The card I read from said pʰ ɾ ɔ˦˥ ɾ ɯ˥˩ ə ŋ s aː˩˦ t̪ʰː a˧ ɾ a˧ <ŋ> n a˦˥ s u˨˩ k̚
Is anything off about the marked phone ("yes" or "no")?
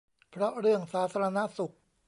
yes